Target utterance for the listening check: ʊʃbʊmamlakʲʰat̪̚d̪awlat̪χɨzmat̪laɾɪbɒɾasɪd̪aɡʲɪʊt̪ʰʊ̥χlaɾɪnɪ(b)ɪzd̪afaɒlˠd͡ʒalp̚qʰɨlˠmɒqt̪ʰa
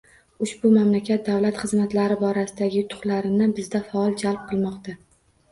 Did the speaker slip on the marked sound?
no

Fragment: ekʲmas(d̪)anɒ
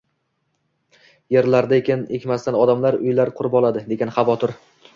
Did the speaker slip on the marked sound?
yes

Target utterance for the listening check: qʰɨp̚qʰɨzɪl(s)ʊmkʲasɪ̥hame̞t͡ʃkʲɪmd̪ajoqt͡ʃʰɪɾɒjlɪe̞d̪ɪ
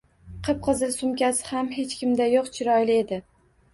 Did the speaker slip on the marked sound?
no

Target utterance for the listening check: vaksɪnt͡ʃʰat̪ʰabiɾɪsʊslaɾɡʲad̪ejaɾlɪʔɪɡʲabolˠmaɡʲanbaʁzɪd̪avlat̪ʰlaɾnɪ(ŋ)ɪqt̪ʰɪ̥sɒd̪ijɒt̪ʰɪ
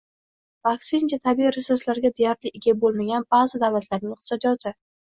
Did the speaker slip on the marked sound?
no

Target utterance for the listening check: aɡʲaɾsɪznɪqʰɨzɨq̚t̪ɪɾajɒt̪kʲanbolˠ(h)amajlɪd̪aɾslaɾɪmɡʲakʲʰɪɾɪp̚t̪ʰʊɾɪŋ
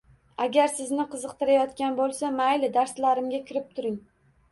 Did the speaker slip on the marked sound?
yes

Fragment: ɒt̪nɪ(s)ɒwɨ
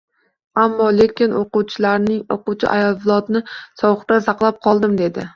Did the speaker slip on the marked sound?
no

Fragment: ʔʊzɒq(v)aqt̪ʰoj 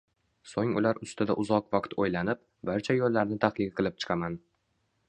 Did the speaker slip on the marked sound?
no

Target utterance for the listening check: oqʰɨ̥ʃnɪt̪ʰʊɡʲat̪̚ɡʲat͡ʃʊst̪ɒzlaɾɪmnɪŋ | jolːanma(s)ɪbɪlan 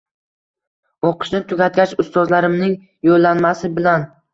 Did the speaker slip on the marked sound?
no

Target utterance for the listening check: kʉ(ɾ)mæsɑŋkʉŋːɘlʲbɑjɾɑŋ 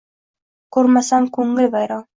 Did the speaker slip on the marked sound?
no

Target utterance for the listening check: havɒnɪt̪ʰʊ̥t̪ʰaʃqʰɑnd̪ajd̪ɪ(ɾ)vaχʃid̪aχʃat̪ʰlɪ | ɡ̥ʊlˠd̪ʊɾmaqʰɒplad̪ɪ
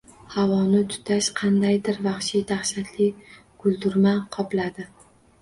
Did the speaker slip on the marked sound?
no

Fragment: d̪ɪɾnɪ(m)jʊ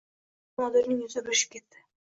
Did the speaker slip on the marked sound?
yes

